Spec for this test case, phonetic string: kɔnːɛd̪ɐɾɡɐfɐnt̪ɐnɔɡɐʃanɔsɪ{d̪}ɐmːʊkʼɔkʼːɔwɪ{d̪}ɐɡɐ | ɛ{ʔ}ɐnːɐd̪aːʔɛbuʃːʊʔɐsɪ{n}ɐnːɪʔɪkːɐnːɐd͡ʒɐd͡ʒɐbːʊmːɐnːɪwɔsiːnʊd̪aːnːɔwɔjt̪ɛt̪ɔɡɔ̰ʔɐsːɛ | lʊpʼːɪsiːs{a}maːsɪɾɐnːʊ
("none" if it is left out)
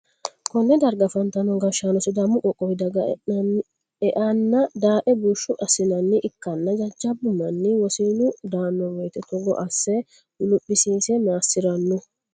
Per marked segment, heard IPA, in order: d̪, d̪, ʔ, n, ɛ

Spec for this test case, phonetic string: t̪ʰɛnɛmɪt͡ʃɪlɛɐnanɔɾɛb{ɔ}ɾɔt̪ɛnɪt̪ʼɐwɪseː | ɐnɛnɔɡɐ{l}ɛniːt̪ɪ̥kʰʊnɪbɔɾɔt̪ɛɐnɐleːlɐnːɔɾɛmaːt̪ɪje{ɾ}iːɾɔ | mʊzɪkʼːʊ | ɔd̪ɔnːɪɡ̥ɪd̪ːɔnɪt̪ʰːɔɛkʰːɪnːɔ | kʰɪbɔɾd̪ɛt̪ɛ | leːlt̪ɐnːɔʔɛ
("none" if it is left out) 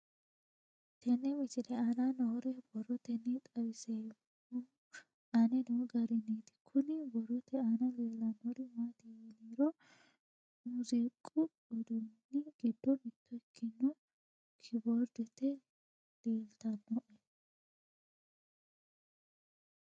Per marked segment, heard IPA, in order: ɔ, ɾ, l

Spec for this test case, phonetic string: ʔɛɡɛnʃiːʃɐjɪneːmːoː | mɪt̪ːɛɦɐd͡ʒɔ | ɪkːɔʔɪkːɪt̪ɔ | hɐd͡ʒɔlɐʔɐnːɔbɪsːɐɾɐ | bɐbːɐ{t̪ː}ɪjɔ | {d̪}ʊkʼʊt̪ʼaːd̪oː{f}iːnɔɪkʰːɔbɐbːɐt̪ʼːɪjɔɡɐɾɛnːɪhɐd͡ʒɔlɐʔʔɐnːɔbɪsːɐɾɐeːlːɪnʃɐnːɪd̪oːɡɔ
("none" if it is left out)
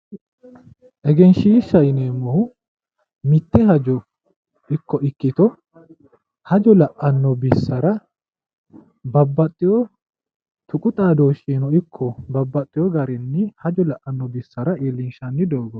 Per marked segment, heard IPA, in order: t̪ʼː, t̪, ʃ

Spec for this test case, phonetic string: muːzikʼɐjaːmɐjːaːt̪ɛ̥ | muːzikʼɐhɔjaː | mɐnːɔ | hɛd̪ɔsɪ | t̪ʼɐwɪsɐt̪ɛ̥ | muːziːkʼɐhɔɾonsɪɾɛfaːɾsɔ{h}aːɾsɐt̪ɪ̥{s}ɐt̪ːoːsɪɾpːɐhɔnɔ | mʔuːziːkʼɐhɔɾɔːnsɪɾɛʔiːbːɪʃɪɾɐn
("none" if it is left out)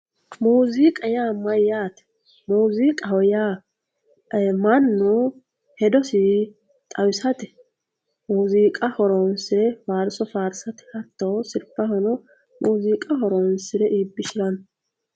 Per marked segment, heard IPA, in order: f, h

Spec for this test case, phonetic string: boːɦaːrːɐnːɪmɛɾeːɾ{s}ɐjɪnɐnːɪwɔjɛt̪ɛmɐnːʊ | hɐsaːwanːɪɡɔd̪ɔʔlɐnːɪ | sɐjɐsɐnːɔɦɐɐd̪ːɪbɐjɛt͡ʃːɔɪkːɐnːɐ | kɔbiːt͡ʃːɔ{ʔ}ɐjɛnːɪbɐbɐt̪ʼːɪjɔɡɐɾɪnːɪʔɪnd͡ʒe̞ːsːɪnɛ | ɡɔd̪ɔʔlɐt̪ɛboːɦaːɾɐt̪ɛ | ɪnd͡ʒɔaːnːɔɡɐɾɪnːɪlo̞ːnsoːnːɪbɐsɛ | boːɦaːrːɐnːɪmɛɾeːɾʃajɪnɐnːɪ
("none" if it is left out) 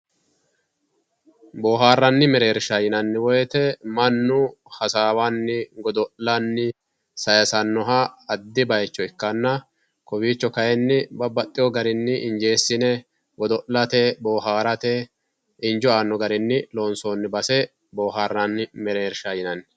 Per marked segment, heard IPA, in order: ʃ, k

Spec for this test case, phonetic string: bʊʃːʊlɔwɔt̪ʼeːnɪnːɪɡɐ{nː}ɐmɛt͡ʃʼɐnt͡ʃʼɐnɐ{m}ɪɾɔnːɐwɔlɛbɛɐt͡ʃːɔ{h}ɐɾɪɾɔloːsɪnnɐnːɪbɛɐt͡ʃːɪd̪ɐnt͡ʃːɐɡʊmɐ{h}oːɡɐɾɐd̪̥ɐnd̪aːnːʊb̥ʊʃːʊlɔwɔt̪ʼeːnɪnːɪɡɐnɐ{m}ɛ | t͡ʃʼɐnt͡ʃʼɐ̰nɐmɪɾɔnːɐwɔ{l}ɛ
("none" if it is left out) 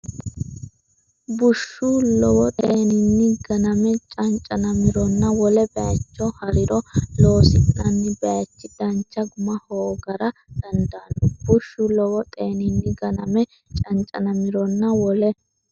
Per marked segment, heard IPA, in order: n, m, h, h, m, l

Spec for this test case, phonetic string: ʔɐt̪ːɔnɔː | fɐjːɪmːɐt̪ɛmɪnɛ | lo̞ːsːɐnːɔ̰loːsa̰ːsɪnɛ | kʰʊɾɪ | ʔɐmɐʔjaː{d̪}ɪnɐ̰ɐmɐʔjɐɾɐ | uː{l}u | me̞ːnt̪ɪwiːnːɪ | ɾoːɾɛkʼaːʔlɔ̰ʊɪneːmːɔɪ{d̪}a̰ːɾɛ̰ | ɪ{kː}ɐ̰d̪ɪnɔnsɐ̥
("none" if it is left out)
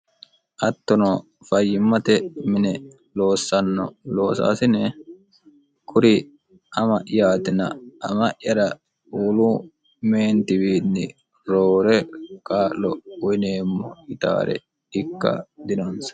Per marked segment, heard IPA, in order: t̪, l, t̪, kː

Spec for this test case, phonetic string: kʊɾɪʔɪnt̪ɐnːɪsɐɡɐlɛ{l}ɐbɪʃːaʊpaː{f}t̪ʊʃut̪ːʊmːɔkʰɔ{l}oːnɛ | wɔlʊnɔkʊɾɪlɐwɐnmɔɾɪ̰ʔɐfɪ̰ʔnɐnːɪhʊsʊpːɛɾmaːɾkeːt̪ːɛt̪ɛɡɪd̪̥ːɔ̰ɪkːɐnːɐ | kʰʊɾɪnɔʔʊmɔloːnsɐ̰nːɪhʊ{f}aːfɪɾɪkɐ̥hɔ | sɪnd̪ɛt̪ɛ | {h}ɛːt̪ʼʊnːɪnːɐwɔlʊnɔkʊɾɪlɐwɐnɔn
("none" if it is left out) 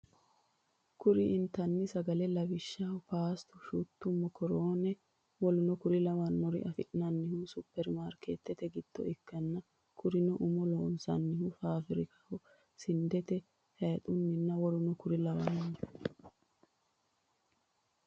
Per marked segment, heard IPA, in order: l, s, ɾ, f, h

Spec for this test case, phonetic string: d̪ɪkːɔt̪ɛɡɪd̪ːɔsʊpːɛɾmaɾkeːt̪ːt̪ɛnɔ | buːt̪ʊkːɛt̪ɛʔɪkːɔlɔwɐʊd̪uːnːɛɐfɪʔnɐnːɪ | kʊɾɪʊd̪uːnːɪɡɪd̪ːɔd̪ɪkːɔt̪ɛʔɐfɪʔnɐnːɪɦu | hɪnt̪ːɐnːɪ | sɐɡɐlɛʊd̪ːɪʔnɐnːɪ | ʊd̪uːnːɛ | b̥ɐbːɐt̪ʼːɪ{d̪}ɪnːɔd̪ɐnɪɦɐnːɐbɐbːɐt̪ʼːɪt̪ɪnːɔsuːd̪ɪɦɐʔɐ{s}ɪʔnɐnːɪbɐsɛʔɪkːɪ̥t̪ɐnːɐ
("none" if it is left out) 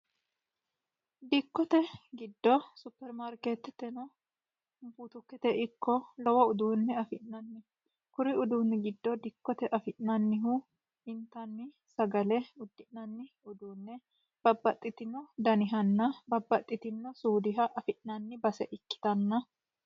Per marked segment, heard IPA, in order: t̪, f

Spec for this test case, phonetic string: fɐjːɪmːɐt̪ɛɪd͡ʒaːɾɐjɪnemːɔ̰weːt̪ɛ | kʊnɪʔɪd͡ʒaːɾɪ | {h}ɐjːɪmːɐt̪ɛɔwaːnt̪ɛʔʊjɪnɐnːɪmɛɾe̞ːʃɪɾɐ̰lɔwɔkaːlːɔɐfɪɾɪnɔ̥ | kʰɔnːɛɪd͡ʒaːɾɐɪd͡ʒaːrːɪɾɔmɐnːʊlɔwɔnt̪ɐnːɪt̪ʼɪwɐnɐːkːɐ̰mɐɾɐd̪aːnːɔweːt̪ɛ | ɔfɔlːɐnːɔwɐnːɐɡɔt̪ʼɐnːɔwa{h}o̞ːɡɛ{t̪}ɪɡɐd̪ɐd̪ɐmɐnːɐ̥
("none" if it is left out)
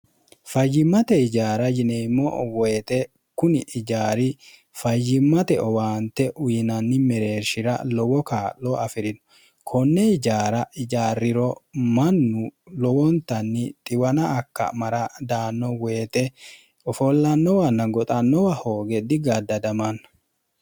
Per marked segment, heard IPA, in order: f, h, d̪

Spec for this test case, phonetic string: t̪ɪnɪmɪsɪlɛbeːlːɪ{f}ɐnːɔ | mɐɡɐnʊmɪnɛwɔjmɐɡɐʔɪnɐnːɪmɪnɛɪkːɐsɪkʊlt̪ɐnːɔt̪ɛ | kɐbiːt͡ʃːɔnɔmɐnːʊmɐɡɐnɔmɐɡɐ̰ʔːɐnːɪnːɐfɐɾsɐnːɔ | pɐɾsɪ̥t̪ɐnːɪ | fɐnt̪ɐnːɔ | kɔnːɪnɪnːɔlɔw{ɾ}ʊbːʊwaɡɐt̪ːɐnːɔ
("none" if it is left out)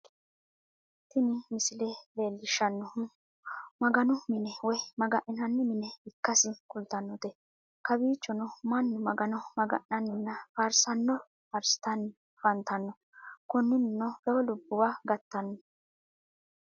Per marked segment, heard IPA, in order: ʃ, l

